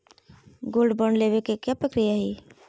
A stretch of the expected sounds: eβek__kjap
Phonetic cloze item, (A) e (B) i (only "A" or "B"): A